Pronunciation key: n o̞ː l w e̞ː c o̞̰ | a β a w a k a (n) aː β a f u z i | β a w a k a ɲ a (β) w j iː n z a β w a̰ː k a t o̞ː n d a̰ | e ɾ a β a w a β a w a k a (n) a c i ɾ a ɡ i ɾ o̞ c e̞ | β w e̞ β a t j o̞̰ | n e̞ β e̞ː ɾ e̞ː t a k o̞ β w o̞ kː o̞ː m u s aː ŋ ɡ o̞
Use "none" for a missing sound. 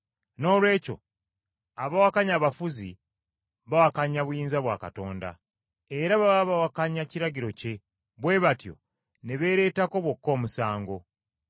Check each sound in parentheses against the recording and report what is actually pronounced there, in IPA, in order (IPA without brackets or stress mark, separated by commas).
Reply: ɲ, β, ɲ